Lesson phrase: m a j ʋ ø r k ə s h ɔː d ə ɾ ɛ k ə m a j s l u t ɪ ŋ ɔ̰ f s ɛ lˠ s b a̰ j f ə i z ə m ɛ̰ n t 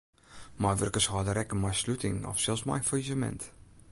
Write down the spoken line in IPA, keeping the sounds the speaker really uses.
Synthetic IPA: m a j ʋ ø r k ə s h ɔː d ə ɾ ɛ k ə m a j s l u t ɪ ŋ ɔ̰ f s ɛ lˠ s m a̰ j f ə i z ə m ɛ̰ n t